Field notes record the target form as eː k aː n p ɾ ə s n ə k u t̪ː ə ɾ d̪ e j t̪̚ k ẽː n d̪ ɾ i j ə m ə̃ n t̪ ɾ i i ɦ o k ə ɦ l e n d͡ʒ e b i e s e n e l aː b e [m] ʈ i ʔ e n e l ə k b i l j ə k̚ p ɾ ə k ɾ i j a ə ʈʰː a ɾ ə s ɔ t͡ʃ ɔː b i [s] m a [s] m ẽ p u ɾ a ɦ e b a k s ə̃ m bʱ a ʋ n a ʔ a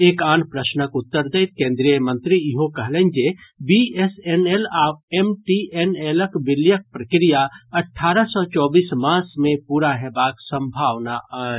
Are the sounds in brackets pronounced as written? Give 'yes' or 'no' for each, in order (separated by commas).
yes, yes, yes